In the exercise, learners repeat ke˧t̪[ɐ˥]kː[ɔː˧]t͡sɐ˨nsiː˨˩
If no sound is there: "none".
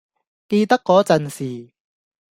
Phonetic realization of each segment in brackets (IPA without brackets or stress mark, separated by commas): ɐ˥, ɔː˨˥